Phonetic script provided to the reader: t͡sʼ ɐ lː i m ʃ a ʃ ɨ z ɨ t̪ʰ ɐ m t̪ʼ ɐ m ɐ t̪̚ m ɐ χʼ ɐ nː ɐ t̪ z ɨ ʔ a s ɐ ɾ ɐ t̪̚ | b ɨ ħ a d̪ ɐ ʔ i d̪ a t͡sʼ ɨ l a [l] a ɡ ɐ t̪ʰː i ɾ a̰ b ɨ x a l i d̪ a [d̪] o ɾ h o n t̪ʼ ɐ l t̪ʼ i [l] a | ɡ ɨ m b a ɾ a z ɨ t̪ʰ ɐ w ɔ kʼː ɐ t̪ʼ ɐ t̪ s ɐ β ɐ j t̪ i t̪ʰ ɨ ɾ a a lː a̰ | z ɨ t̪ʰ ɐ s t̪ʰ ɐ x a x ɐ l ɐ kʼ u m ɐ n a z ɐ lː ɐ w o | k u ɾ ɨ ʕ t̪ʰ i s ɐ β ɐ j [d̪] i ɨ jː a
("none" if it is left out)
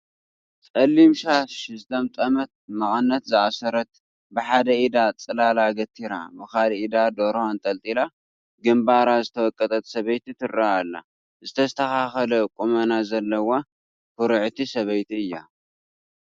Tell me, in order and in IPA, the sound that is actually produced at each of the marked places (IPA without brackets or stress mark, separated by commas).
l, d̪, l, t̪